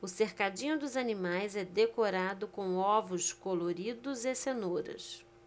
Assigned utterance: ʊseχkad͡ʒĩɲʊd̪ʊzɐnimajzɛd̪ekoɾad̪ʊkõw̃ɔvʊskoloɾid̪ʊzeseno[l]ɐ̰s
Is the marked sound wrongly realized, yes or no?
yes